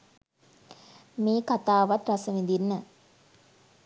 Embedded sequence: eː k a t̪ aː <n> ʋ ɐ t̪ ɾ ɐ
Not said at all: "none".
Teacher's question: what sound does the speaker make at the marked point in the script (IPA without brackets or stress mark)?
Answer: none